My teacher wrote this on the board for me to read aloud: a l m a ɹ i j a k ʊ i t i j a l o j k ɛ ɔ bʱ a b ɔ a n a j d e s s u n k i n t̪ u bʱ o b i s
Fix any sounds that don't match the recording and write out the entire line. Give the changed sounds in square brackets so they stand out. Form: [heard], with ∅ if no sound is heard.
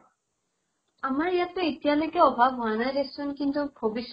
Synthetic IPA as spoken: a [∅] m a ɹ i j a [t] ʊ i t i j a l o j k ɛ ɔ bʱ a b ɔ a n a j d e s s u n k i n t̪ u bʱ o b i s